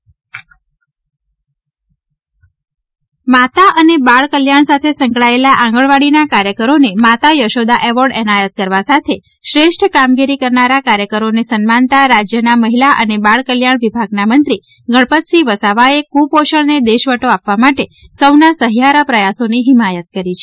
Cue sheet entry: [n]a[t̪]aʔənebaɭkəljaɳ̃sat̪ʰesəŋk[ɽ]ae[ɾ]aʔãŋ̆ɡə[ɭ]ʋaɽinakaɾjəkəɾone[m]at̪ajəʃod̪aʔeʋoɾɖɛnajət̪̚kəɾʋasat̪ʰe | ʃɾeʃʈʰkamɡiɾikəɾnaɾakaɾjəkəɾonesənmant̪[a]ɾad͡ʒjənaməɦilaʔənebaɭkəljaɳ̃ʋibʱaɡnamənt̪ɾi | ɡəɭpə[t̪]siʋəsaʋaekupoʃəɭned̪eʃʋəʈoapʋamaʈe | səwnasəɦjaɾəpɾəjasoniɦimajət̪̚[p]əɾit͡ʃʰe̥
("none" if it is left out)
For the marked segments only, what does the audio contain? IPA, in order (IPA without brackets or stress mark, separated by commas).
m, t̪, ɭ, l, ɭ, m, a, t̪, k